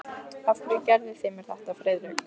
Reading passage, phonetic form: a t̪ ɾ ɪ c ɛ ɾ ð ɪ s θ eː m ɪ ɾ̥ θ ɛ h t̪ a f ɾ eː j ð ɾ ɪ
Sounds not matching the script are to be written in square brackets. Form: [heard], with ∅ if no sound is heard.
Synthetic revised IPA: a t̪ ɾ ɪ c ɛ ɾ ð ɪ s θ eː m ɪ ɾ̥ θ ɛ h t̪ a f ɾ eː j ð ɾ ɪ